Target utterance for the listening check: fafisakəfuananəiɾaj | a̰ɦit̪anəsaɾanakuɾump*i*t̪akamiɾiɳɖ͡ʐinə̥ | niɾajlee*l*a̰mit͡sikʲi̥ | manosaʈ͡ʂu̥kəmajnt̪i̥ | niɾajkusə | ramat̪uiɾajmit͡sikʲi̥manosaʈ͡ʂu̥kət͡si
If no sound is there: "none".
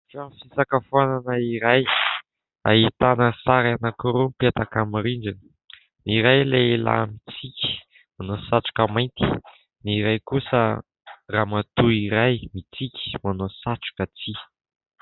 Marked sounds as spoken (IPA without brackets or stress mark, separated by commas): e, l